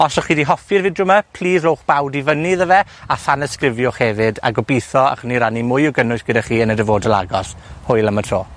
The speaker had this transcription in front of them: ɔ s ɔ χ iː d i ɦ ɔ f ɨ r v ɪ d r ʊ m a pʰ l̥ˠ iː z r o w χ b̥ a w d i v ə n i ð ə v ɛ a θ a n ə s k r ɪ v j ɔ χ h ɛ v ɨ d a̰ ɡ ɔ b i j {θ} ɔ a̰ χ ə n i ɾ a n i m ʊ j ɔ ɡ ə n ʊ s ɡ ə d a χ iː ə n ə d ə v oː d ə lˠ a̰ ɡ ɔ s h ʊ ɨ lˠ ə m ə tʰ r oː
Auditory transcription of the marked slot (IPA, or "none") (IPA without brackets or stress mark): θ